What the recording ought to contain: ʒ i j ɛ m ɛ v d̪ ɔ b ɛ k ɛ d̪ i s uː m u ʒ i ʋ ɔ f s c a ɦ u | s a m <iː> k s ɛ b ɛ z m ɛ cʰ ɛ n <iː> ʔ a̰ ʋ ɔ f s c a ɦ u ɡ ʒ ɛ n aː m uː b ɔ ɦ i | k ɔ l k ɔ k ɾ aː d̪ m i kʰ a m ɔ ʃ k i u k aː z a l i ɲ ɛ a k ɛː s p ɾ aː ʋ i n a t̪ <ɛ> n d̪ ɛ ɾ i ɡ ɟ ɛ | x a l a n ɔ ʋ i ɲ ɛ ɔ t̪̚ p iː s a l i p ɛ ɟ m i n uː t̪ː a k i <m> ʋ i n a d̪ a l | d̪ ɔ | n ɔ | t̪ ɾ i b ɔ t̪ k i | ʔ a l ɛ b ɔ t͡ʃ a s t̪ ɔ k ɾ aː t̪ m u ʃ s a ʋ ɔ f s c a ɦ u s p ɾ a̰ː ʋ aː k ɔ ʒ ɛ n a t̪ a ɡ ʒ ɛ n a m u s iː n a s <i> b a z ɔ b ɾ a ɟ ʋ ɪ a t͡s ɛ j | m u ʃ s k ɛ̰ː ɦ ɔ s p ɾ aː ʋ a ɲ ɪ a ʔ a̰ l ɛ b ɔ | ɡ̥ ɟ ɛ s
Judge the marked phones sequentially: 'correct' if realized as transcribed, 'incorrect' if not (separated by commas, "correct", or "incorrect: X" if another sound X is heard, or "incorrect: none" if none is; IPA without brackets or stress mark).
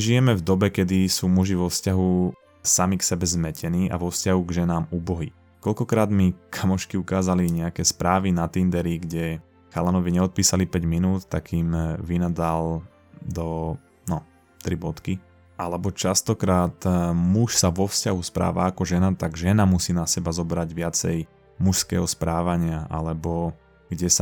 incorrect: i, correct, incorrect: i, correct, incorrect: ɛ